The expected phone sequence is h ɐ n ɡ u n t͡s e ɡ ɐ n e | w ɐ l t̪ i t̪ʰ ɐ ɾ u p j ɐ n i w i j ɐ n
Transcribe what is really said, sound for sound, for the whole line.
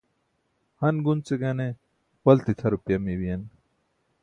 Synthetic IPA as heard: h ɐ n ɡ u n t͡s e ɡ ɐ n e | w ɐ l t̪ i t̪ʰ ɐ ɾ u p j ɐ m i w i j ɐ n